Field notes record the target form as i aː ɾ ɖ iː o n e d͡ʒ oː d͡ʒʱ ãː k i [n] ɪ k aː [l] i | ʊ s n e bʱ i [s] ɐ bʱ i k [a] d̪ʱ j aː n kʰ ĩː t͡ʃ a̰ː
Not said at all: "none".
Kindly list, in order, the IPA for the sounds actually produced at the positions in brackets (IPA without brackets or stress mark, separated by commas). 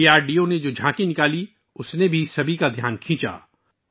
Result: n, l, s, a